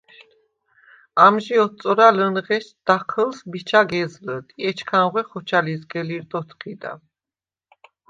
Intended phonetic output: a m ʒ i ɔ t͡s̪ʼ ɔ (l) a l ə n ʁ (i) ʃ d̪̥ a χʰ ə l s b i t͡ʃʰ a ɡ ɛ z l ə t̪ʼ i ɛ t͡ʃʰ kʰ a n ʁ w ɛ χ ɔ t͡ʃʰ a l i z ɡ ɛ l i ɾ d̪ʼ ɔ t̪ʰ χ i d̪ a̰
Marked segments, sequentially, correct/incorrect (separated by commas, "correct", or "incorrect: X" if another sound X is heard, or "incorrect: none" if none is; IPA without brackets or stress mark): incorrect: ɾ, incorrect: ɛ